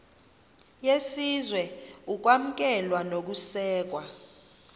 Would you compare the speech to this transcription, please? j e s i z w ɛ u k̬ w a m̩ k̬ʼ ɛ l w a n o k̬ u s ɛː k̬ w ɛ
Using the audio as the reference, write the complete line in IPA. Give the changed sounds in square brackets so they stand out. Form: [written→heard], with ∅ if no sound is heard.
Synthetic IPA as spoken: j e s i z w ɛ u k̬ w a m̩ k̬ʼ ɛ l w a n o k̬ u s ɛː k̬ w [ɛ→a]

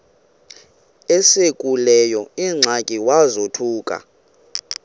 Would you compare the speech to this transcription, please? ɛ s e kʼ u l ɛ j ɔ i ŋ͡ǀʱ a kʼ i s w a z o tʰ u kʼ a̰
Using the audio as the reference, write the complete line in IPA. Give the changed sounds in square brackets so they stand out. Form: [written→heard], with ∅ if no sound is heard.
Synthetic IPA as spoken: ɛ s e kʼ u l ɛ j ɔ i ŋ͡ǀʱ a kʼ i [s→∅] w a z o tʰ [u→uː] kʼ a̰

